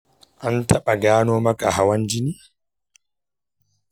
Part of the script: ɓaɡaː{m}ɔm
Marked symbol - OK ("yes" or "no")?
no